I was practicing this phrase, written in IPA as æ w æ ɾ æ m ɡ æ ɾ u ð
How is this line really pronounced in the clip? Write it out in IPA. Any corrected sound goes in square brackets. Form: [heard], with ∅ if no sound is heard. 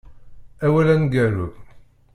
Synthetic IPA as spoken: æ w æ [l] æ [n] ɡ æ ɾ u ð